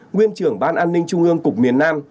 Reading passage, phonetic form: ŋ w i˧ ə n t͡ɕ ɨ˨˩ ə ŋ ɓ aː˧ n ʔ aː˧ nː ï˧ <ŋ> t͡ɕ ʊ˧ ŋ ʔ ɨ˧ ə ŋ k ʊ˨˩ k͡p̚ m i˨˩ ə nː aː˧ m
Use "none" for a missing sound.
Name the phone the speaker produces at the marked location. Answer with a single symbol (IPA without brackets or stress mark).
ŋ